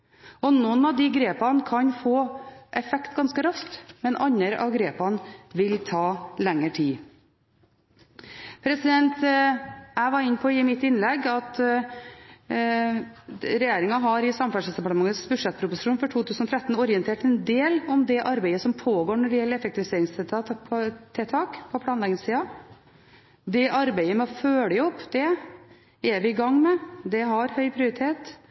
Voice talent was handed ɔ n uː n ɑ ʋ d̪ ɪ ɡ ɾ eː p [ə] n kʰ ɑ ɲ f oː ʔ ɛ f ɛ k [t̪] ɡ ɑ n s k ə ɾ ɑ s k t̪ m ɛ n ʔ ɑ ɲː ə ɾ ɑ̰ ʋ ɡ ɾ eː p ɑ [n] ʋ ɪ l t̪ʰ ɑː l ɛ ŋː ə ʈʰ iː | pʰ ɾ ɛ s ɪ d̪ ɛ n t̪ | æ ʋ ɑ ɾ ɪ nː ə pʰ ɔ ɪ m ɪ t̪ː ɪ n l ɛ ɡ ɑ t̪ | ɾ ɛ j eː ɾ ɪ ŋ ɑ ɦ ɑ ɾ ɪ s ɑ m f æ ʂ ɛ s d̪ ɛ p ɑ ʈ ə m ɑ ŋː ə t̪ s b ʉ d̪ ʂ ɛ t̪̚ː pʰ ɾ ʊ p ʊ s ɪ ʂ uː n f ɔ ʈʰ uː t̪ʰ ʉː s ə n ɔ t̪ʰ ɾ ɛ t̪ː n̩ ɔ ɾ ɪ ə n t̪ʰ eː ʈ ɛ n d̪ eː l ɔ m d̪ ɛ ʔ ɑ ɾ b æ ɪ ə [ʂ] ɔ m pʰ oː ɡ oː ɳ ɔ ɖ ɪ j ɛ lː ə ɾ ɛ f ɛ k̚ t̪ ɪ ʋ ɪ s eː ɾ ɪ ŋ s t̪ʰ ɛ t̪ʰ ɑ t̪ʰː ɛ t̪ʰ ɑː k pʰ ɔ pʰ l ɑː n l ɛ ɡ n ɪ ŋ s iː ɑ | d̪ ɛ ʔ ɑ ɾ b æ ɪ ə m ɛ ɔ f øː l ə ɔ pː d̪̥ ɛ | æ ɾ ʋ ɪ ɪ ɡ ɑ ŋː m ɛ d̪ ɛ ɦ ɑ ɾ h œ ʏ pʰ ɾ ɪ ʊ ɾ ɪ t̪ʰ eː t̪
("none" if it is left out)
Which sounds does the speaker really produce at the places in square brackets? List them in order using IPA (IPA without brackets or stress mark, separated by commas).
ɑ, t̪, n, s